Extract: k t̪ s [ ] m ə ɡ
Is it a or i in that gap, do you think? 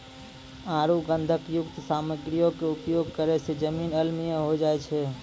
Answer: a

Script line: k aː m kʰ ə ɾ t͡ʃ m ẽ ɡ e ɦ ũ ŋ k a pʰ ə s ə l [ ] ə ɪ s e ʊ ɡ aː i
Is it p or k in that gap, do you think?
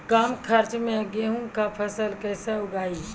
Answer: k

